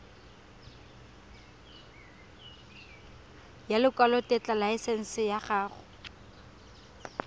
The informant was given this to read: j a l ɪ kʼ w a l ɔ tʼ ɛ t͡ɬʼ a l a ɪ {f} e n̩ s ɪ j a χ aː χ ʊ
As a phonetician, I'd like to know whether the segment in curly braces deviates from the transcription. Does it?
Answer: yes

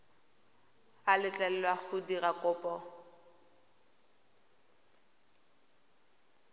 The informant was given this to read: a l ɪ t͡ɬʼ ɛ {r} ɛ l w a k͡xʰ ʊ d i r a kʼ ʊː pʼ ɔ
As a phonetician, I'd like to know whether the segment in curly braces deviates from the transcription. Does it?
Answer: yes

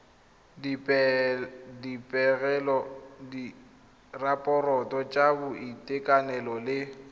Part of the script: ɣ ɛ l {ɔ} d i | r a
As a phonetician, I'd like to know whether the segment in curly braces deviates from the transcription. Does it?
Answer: no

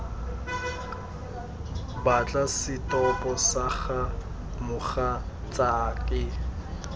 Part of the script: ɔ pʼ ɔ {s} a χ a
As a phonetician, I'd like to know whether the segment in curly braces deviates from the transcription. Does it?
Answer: no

